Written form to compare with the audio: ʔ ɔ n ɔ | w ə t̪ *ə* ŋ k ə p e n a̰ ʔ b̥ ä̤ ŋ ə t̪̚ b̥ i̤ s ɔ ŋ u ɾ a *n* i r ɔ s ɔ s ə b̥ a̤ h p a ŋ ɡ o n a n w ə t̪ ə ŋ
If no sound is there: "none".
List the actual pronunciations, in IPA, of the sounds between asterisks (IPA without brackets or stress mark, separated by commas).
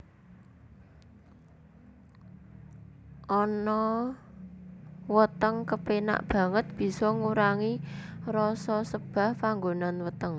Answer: ə, ŋ